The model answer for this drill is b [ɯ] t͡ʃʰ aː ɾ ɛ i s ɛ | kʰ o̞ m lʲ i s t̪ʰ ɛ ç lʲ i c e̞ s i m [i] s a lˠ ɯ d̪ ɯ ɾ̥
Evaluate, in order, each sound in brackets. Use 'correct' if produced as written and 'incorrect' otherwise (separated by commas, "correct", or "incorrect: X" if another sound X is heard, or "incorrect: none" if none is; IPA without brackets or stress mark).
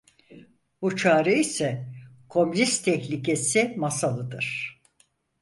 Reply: incorrect: u, incorrect: a